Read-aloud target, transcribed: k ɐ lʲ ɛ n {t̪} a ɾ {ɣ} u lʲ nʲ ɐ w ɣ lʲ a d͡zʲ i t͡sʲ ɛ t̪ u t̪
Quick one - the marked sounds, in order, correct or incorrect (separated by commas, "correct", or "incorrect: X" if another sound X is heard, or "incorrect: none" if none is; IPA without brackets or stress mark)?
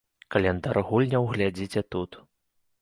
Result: incorrect: d̪, correct